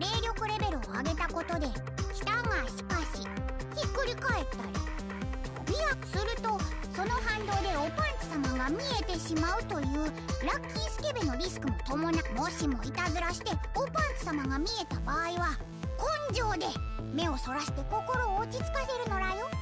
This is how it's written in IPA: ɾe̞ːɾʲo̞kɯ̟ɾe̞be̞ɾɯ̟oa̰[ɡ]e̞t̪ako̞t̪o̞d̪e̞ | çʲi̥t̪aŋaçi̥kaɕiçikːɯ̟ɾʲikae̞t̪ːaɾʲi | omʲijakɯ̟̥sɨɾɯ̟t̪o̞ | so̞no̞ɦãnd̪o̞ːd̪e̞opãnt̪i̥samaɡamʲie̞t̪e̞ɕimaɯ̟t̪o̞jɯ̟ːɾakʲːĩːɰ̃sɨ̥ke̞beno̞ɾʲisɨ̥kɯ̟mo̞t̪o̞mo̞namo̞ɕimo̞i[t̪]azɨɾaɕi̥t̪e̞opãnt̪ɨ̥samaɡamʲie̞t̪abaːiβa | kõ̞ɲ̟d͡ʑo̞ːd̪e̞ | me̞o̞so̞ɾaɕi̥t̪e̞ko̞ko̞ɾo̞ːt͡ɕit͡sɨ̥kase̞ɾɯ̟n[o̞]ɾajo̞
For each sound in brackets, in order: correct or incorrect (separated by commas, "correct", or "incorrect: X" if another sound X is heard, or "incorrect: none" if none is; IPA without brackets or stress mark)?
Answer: correct, correct, correct